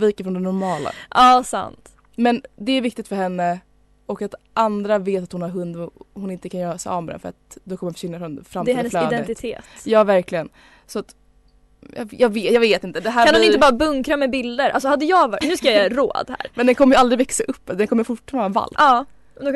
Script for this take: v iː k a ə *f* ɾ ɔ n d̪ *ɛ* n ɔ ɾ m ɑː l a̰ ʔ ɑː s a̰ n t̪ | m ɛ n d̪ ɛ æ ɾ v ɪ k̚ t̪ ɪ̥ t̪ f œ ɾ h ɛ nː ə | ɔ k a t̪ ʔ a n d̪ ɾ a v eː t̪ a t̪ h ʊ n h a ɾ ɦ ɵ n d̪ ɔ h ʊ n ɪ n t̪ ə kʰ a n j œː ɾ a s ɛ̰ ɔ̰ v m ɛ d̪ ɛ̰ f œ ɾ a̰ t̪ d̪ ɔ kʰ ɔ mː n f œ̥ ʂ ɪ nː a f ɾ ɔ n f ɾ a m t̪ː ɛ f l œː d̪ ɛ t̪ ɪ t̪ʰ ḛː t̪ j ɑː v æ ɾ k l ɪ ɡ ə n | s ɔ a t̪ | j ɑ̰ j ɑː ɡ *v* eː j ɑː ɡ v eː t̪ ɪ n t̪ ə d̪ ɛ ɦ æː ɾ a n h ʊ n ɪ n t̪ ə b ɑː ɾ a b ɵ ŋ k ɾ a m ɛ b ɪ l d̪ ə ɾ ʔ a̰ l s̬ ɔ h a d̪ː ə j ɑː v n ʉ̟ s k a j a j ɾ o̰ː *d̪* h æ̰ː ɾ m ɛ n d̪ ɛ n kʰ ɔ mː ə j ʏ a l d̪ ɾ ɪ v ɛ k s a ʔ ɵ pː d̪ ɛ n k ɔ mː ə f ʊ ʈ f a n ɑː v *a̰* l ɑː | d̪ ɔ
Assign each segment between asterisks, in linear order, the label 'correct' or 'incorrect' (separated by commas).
correct, correct, correct, correct, correct